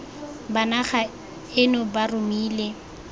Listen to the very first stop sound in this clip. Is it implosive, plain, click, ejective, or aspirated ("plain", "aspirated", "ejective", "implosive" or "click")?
plain